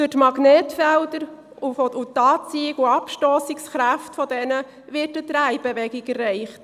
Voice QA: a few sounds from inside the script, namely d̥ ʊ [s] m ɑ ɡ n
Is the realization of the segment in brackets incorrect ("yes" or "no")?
yes